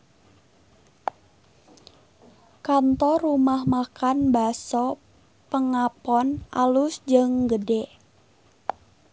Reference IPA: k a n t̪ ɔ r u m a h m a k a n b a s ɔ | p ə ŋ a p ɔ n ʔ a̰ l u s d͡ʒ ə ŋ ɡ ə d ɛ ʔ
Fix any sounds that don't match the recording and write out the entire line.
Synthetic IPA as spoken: k a n t̪ ɔ r u m a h m a k a n b a s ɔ | p ə ŋ a p ɔ n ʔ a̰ l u s d͡ʒ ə ŋ ɡ ə d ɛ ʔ

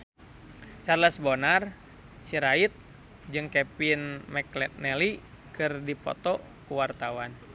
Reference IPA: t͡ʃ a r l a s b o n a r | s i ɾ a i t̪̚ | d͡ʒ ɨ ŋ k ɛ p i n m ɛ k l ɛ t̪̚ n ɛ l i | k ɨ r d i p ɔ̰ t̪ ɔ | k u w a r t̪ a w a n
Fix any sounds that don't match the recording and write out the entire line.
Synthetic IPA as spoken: t͡ʃ a r l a s b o n a r | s i ɾ a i t̪̚ | d͡ʒ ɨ ŋ k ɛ p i n m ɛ k l ɛ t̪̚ n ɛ l i | k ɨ r d i p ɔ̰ t̪ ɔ | k u w a r t̪ a w a n

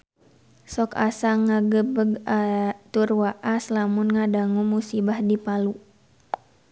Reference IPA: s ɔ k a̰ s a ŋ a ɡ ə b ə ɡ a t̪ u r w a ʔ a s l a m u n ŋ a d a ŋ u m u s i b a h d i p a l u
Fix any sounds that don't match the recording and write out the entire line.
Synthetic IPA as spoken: s ɔ k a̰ s a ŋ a ɡ ə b ə ɡ a t̪ u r w a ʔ a s l a m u n ŋ a d a ŋ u m u s i b a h d i p a l u

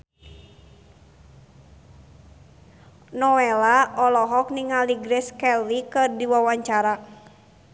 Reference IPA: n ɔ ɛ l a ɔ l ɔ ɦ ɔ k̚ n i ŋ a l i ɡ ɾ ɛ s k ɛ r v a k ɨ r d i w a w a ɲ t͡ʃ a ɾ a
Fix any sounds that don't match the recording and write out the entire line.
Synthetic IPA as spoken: n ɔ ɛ l a ɔ l ɔ ɦ ɔ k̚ n i ŋ a l i ɡ ɾ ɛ s k ɛ l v i k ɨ r d i w a w a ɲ t͡ʃ a ɾ a

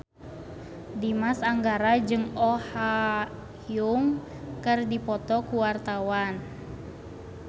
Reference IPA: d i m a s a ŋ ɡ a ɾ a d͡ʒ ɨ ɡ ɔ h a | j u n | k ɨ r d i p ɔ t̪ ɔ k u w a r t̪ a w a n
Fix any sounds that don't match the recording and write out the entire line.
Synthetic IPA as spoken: d i m a s a ŋ ɡ a ɾ a d͡ʒ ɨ ŋ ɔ h a | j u ŋ | k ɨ r d i p ɔ t̪ ɔ k u w a r t̪ a w a n

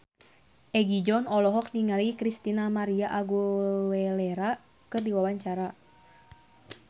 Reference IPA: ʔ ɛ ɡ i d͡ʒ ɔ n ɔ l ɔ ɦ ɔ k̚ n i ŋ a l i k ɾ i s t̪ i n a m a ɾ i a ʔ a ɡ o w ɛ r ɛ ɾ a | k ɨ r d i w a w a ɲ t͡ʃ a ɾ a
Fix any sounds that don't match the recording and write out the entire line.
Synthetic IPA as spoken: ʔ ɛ ɡ i d͡ʒ ɔ n ɔ l ɔ ɦ ɔ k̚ n i ŋ a l i k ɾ i s t̪ i n a m a ɾ i a ʔ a ɡ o w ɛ l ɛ ɾ a | k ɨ r d i w a w a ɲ t͡ʃ a ɾ a

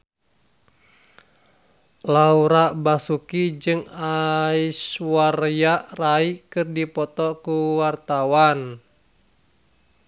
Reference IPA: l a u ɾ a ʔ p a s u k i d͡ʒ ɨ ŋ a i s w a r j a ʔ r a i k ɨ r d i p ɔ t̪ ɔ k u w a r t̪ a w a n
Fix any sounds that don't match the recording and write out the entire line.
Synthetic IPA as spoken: l a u ɾ a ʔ b a s u k i d͡ʒ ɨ ŋ a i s w a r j a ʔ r a i k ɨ r d i p ɔ t̪ ɔ k u w a r t̪ a w a n

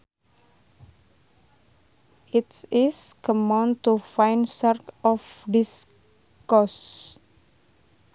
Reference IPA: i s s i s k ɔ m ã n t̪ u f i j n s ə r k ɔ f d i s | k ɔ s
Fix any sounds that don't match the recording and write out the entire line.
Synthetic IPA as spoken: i t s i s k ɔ m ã n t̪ u f a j n s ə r k ɔ f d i s | k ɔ s

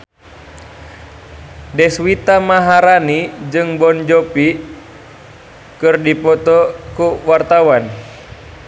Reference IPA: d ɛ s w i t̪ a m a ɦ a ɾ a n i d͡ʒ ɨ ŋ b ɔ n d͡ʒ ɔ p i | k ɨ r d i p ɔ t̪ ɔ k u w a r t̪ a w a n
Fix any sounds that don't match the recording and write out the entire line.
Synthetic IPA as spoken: d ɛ s w i t̪ a m a ɦ a ɾ a n i d͡ʒ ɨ ŋ b ɔ n d͡ʒ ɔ p i | k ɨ r d i p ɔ t̪ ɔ k u w a r t̪ a w a n

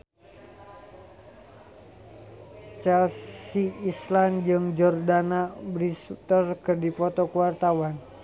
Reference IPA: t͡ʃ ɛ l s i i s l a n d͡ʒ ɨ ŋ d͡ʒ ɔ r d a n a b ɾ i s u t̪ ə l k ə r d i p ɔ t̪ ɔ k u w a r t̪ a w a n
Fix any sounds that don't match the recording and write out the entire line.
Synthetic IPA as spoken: t͡ʃ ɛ l s i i s l a n d͡ʒ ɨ ŋ d͡ʒ ɔ r d a n a b ɾ i s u t̪ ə r k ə r d i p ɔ t̪ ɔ k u w a r t̪ a w a n

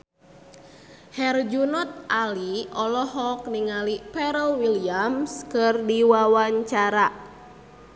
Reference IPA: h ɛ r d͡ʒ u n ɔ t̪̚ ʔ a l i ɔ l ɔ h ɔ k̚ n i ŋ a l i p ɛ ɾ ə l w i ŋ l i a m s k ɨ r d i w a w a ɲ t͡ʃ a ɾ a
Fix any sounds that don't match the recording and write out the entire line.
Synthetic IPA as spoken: h ɛ r d͡ʒ u n ɔ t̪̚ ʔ a l i ɔ l ɔ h ɔ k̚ n i ŋ a l i p ɛ ɾ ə l w i l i a m s k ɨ r d i w a w a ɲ t͡ʃ a ɾ a

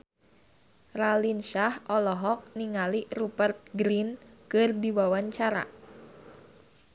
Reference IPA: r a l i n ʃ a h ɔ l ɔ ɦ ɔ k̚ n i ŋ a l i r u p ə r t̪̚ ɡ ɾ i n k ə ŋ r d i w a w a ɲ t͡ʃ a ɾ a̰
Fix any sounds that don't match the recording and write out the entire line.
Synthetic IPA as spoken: r a l i n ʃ a h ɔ l ɔ ɦ ɔ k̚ n i ŋ a l i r u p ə r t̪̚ ɡ ɾ i n k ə r d i w a w a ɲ t͡ʃ a ɾ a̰

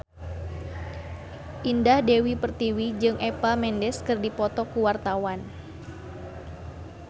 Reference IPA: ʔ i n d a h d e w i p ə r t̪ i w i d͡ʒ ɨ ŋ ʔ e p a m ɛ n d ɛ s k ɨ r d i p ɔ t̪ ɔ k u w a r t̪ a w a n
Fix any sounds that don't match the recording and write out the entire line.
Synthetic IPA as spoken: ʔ i n d a h d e w i p ə r t̪ i w i d͡ʒ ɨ ŋ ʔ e p a m ɛ n d ɛ s k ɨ r d i p ɔ t̪ ɔ k u w a r t̪ a w a n

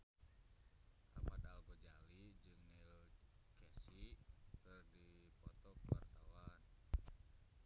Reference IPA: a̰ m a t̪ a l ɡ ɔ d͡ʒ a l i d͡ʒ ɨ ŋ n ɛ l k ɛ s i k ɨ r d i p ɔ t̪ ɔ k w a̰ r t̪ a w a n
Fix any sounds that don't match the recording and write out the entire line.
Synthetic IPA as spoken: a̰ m a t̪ a l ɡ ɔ d͡ʒ a l i d͡ʒ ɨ ŋ n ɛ l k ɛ s i k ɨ r d i p ɔ t̪ ɔ k w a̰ r t̪ a w a n

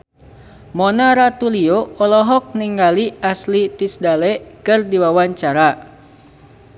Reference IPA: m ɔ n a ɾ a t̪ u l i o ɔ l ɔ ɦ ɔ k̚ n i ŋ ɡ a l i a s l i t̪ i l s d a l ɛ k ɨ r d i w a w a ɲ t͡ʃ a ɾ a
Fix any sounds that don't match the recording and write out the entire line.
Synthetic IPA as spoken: m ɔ n a ɾ a t̪ u l i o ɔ l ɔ ɦ ɔ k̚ n i ŋ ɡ a l i a s l i t̪ i s d a l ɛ k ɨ r d i w a w a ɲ t͡ʃ a ɾ a

